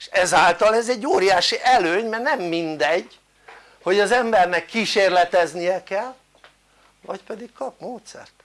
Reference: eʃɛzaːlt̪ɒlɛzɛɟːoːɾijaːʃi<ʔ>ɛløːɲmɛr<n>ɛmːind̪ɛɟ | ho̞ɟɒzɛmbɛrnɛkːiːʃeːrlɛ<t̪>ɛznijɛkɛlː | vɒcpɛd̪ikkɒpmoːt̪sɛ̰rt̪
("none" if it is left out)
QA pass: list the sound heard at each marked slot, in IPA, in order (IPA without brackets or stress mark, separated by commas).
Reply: ʔ, n, t̪